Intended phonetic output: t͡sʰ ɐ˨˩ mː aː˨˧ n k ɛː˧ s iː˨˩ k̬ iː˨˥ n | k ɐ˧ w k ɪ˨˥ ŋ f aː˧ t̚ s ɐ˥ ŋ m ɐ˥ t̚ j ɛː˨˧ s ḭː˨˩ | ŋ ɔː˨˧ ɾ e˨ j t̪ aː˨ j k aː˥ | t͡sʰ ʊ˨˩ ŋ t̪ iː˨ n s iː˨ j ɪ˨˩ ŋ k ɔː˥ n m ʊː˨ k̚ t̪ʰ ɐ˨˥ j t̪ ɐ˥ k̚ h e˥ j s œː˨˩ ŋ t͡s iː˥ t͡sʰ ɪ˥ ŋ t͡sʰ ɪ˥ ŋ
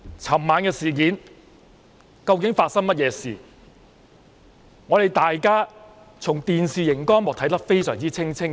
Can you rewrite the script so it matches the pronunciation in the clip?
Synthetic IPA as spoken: t͡sʰ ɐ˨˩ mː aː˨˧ n k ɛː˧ s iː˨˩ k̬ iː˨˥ n | k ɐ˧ w k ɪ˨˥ ŋ f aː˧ t̚ s ɐ˥ ŋ m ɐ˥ t̚ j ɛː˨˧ s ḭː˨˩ | ŋ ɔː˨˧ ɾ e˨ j t̪ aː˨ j k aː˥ | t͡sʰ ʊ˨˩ ŋ t̪ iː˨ n s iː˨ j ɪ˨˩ ŋ k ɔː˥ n m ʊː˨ k̚ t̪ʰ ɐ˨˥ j t̪ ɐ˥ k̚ f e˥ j s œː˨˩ ŋ t͡s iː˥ t͡sʰ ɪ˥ ŋ t͡sʰ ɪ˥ ŋ